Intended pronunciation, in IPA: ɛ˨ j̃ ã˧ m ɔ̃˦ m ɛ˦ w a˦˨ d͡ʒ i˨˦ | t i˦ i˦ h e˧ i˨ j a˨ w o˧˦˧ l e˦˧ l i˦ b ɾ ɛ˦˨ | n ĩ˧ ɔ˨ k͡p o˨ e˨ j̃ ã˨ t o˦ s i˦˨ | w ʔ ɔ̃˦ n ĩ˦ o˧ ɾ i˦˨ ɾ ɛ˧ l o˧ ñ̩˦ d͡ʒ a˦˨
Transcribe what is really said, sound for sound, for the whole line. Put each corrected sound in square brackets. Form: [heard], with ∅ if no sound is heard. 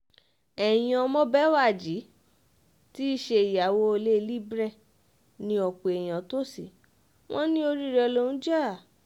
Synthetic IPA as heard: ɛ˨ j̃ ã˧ m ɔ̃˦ [b] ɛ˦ w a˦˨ d͡ʒ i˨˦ | t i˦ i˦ [ʃ] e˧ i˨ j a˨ w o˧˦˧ l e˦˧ l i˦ b ɾ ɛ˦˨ | n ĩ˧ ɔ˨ k͡p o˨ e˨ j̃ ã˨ t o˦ s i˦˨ | w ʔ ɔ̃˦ n ĩ˦ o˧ ɾ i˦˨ ɾ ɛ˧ l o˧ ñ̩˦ d͡ʒ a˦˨